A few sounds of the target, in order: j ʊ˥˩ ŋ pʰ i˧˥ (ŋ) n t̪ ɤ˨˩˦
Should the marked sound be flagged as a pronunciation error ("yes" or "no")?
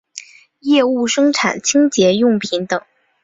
yes